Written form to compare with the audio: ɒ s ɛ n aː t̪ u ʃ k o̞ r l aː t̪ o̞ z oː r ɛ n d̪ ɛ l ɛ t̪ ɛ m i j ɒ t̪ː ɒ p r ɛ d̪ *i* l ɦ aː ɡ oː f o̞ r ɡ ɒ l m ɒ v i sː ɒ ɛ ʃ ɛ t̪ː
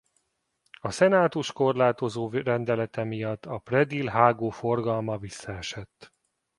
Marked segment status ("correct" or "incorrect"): correct